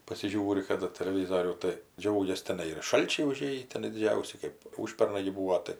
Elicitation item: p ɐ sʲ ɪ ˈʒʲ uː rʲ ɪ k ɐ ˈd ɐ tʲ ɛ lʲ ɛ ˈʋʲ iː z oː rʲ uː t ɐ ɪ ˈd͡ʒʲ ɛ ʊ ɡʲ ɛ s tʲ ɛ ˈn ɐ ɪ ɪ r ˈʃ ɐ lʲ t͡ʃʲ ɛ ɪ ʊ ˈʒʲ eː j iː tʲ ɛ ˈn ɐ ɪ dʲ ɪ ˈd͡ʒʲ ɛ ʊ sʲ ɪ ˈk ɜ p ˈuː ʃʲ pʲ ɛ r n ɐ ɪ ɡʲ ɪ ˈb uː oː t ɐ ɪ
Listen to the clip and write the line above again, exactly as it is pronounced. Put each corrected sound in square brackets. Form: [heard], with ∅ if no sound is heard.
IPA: p ɐ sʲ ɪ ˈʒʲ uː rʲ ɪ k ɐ ˈd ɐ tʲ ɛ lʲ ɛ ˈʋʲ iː z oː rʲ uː t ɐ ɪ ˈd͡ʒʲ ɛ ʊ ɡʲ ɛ s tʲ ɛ ˈn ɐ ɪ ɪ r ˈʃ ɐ lʲ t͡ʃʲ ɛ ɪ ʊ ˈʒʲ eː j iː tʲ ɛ ˈn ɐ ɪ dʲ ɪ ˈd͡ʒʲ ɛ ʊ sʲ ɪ ˈk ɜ p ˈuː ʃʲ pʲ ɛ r n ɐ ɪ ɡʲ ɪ ˈb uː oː t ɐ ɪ